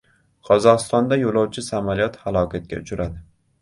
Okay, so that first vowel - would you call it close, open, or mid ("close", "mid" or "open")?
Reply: open